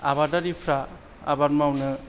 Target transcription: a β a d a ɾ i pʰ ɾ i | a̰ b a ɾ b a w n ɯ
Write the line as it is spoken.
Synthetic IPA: a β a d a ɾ i pʰ ɾ a | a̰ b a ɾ m a w n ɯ